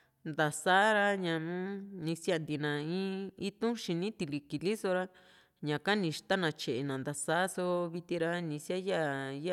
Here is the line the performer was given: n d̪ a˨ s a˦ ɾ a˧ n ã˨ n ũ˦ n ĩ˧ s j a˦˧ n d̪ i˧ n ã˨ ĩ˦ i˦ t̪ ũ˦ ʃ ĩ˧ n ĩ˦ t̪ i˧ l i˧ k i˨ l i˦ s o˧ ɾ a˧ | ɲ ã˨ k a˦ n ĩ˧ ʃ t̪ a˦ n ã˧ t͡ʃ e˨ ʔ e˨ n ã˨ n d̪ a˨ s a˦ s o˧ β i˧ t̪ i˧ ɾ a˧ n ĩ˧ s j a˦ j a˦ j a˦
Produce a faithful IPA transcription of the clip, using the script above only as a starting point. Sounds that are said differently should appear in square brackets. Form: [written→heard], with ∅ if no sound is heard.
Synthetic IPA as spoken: n d̪ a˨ s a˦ ɾ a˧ [n→ɲ] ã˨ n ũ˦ n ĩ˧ s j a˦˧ n d̪ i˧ n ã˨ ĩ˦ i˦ t̪ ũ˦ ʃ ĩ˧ n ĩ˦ t̪ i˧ l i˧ k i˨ l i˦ s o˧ ɾ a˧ | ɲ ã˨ k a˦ n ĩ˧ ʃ t̪ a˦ n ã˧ t͡ʃ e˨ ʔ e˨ n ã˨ n d̪ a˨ s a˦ s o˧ β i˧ t̪ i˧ ɾ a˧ n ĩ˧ s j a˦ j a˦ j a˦